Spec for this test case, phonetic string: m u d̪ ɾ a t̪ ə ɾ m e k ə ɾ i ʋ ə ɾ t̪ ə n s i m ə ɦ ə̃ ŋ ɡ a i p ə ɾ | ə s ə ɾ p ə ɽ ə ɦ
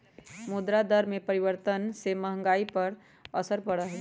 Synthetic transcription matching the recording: m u d̪ ɾ a d̪ ə ɾ m e p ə ɾ i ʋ ə ɾ t̪ ə n s e m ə ɦ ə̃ ŋ ɡ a i p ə ɾ | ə s ə ɾ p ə ɽ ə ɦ